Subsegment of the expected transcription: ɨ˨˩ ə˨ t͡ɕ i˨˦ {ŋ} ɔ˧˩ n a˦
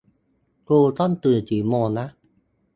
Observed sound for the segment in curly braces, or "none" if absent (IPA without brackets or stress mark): m